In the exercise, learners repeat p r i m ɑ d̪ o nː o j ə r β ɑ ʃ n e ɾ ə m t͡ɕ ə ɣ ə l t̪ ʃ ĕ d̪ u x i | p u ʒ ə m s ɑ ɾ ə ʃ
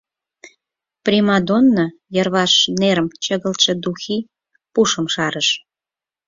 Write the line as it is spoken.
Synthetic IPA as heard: p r i m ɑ d̪ o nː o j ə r β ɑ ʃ n e ɾ ə m t͡ɕ ə ɣ ə l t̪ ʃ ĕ d̪ u x i | p u ʃ ə m ʃ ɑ ɾ ə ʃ